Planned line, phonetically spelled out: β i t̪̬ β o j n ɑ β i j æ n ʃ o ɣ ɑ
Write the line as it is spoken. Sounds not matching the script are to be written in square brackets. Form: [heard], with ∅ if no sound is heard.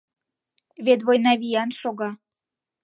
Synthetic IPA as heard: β [e] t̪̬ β o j n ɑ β i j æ n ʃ o ɣ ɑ